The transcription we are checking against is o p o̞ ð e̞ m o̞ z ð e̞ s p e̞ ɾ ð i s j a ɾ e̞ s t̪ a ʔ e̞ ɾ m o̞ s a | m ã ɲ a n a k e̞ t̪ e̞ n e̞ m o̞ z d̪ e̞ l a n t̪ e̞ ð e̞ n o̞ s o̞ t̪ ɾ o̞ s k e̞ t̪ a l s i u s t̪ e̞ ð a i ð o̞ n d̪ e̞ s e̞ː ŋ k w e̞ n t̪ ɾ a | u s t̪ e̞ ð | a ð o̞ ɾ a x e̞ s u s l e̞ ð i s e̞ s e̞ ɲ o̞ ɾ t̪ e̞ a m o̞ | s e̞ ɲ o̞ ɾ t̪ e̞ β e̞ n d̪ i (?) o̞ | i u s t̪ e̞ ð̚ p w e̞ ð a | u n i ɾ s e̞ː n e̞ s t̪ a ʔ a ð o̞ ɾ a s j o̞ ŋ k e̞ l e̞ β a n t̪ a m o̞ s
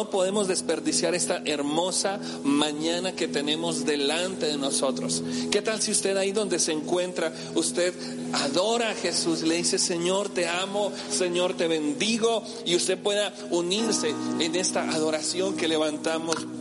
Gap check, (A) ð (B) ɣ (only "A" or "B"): B